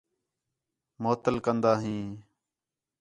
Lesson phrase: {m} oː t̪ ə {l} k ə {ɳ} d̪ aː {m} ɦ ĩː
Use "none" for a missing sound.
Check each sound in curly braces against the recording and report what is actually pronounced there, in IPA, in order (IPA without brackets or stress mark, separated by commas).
m, l, n, none